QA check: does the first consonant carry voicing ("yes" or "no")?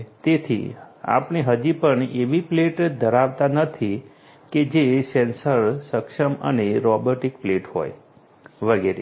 no